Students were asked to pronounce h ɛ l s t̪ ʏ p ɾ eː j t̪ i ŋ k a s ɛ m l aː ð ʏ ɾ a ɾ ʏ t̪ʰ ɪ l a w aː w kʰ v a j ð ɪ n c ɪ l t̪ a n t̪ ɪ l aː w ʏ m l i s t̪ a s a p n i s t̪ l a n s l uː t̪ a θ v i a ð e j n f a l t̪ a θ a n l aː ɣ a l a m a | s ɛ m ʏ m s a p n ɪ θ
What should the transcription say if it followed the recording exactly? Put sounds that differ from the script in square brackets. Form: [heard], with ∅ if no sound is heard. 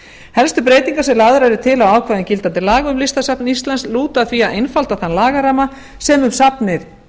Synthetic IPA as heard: h ɛ l s t̪ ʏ p ɾ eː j t̪ i ŋ k a s ɛ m l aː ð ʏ ɾ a ɾ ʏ t̪ʰ ɪ l a w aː w kʰ v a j ð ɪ n c ɪ l t̪ a n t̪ ɪ l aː [ɣ] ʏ m l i s t̪ a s a p n i s t̪ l a n s l uː t̪ a θ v i a ð e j n f a l t̪ a θ a n l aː ɣ a [ɾ] a m a | s ɛ m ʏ m s a p n ɪ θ

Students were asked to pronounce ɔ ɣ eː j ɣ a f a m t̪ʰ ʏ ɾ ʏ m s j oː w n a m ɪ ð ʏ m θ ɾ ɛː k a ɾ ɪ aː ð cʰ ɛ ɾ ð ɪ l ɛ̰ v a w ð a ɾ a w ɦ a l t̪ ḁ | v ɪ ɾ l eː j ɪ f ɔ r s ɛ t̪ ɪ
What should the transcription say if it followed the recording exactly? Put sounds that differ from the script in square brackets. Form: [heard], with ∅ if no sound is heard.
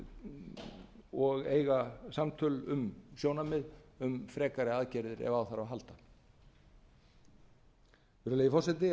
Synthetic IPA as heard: ɔ ɣ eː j ɣ a [s] a m t̪ʰ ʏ [l] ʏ m s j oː w n a m ɪ ð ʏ m [f] ɾ ɛː k a ɾ ɪ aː ð [c] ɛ ɾ ð ɪ [ɾ] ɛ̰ v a w [θ] a ɾ a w ɦ a l t̪ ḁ | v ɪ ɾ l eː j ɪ f ɔ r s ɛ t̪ ɪ

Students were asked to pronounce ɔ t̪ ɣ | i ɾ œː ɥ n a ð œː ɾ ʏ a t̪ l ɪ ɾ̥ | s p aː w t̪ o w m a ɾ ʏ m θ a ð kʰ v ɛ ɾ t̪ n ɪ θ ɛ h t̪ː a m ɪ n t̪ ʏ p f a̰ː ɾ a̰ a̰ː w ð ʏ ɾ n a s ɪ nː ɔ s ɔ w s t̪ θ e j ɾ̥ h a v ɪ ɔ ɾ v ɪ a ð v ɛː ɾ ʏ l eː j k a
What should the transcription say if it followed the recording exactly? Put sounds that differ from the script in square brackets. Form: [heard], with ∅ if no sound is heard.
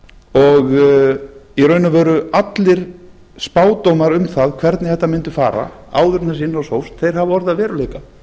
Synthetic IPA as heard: ɔ [∅] ɣ | i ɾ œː ɥ n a [v] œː ɾ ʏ a t̪ l ɪ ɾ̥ | s p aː w t̪ o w m a ɾ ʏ m θ a ð kʰ v ɛ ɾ t̪ n ɪ θ ɛ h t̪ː a m ɪ n t̪ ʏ [∅] f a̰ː ɾ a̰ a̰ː w ð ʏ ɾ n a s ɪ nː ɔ s [o] w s t̪ θ e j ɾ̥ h a v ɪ ɔ ɾ [ð] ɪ a ð v ɛː ɾ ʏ l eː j k a

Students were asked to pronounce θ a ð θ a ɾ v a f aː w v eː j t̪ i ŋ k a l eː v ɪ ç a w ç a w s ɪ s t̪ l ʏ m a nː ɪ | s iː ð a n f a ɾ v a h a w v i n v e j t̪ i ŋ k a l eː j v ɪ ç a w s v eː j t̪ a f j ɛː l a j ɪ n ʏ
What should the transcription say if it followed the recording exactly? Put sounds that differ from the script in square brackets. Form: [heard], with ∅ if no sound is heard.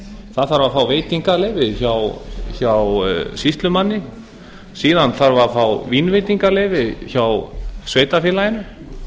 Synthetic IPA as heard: θ a ð θ a ɾ v a f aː w v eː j t̪ i ŋ k a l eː v ɪ ç a w ç a w s [i] s t̪ l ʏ m a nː ɪ | s iː ð a n [θ] a ɾ v a [f] a w v i n v e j t̪ i ŋ k a l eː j v ɪ ç a w s v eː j t̪ a f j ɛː l a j ɪ n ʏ

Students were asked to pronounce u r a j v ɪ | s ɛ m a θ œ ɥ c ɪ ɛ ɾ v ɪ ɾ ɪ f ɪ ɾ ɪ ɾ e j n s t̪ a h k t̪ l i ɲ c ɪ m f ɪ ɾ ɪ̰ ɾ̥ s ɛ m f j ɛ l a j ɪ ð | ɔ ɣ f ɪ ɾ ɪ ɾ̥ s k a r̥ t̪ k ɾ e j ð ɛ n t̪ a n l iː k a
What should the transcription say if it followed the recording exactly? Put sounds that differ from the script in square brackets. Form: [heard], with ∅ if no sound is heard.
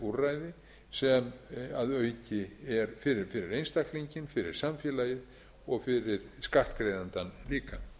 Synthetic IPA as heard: u r a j [ð] ɪ | s ɛ m a [ð] œ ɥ c ɪ ɛ ɾ [f] ɪ ɾ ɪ f ɪ ɾ ɪ ɾ e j n s t̪ a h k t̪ l i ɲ c ɪ [n] f ɪ ɾ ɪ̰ ɾ̥ s [a] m f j ɛ l a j ɪ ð | ɔ ɣ f ɪ ɾ ɪ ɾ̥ s k a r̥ t̪ k ɾ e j ð [a] n t̪ a n l iː k a

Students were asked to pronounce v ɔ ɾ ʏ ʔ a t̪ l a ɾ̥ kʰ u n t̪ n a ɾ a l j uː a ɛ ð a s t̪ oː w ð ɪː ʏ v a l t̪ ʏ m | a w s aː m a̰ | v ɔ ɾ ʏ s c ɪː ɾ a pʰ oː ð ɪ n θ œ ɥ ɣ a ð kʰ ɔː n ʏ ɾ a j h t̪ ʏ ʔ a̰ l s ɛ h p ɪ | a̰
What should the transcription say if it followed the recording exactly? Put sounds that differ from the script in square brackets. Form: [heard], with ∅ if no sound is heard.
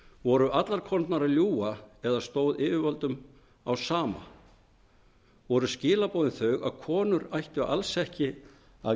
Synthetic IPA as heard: v ɔ ɾ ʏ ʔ a t̪ l a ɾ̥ kʰ [ɔ] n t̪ n a ɾ a l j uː a ɛ ð a s t̪ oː w ð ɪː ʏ v a l t̪ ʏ m | a w s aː m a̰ | v ɔ ɾ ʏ s c ɪː [l] a [p] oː ð ɪ n θ œ ɥ ɣ a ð kʰ ɔː n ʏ ɾ a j h t̪ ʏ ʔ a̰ l s ɛ h [c] ɪ | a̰

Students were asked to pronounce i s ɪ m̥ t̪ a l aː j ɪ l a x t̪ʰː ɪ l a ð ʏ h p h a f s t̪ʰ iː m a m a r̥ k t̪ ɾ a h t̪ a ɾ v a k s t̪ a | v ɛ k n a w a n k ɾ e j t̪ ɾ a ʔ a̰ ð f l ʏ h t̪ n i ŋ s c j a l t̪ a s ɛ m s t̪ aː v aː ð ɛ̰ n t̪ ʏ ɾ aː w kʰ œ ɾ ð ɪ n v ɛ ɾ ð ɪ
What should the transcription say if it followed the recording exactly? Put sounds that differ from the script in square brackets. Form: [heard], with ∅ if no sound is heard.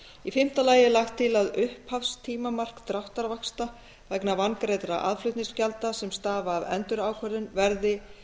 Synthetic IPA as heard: i [f] ɪ m̥ t̪ a l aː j ɪ l a x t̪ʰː ɪ l a ð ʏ h p h a f s t̪ʰ iː m a m a r̥ k t̪ ɾ a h t̪ a ɾ v a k s t̪ a | v ɛ k n a [v] a n k ɾ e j t̪ ɾ a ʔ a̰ ð f l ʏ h t̪ n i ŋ s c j a l t̪ a s ɛ m s t̪ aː v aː ð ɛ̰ n t̪ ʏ ɾ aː w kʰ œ ɾ ð ɪ n v ɛ ɾ ð ɪ

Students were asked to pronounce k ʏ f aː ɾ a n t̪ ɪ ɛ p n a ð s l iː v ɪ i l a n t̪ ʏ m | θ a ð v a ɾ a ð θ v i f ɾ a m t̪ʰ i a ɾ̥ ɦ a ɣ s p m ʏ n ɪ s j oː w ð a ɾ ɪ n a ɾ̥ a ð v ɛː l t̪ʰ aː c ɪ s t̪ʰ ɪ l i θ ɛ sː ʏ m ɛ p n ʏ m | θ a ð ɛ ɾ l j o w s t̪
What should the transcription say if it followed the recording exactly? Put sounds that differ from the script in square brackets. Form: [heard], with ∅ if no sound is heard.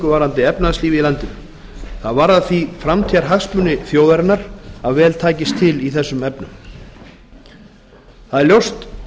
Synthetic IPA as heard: k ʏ [v] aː ɾ a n t̪ ɪ ɛ p n a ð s l iː v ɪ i l a n t̪ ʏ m | θ a ð v a ɾ a ð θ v i f ɾ a m t̪ʰ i a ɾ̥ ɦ a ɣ s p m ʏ n ɪ [θ] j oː w ð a ɾ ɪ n a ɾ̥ a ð v ɛː l t̪ʰ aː c ɪ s t̪ʰ ɪ l i θ ɛ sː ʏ m ɛ p n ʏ m | θ a ð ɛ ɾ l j o w s t̪

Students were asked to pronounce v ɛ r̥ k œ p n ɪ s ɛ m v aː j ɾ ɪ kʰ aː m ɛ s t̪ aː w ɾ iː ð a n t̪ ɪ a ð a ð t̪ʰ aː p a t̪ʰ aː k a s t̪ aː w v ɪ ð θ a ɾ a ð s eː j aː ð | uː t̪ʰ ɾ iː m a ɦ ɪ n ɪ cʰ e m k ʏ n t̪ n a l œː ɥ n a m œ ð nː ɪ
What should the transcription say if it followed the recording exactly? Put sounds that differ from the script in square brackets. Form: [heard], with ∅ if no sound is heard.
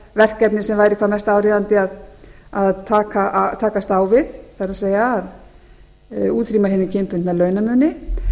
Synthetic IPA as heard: v ɛ r̥ k [ɛ] p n ɪ s ɛ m v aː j ɾ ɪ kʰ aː m ɛ s t̪ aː w ɾ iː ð a n t̪ ɪ a ð a ð t̪ʰ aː [k] a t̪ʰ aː k a s t̪ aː w v ɪ ð θ a ɾ a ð s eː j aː ð | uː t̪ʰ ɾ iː m a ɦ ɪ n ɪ cʰ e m [p] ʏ n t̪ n a l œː ɥ n a m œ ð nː ɪ

